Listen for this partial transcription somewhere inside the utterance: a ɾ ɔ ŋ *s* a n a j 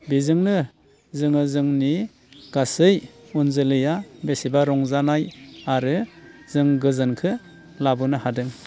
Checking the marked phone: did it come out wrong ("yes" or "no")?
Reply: yes